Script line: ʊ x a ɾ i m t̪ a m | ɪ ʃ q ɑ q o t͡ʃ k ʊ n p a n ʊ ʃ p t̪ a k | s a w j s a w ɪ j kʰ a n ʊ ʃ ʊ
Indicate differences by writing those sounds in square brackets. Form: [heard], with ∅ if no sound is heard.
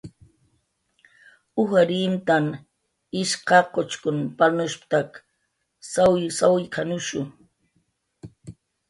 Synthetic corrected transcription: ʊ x a ɾ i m t̪ a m | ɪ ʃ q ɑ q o t͡ʃ k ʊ n p a n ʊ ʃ p t̪ a k | s a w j s a w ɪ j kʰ a n ʊ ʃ ʊ